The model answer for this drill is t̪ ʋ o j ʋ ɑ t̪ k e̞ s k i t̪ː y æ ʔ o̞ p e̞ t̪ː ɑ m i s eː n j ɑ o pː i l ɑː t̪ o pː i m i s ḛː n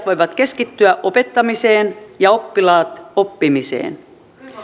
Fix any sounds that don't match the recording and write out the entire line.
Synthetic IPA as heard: t̪ ʋ o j ʋ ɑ t̪ k e̞ s k i t̪ː y æ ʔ o̞ p e̞ t̪ː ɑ m i s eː n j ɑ o pː i l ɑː t̪ o pː i m i s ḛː n